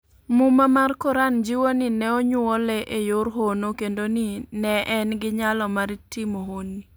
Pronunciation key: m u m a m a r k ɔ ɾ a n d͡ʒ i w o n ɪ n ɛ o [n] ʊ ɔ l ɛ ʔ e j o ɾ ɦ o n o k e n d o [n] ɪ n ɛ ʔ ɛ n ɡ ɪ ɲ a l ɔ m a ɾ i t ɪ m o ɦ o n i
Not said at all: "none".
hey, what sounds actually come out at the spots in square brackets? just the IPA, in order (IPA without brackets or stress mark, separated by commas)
ɲ, n